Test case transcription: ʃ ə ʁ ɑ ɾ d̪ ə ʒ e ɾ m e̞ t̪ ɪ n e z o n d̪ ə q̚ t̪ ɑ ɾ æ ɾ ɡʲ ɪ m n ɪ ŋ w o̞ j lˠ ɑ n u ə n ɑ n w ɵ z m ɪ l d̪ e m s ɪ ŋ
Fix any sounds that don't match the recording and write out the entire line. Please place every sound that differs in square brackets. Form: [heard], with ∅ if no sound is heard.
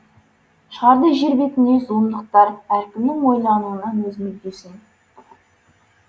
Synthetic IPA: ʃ ə ʁ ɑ ɾ d̪ ə ʒ e ɾ [b] e̞ t̪ ɪ n e z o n d̪ ə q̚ t̪ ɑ ɾ æ ɾ [kʲ] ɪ m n ɪ ŋ w o̞ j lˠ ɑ n u ə n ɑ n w ɵ z m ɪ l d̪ e [∅] s ɪ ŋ